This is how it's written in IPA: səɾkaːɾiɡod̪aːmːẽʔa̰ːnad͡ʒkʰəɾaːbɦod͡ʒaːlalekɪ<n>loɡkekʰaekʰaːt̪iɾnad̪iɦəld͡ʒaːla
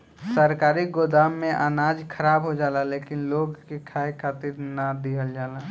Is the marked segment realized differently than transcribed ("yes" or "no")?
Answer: no